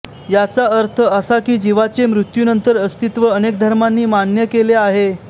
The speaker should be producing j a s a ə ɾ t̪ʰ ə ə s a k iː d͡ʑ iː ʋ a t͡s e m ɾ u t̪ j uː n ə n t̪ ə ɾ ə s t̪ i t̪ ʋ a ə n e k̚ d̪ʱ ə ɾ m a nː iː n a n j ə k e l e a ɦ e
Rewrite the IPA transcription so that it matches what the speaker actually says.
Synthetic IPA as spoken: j a t͡s a ə ɾ t̪ʰ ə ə s a k iː d͡ʑ i ʋ a t͡s e m ɾ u t̪ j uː n ə n t̪ ə ɾ ə s t̪ i t̪ ʋ ə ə n e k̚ d̪ʱ ə ɾ m a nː iː m a n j ə k e l e a ɦ e